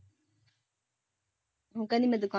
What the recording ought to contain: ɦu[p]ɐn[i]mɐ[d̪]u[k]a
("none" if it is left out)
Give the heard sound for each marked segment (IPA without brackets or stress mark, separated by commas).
k, i, d̪, k